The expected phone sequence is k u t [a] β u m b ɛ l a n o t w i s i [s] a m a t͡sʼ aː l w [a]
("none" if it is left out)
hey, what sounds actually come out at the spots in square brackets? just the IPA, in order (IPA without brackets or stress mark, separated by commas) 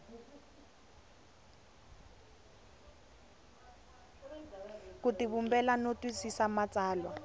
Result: i, s, a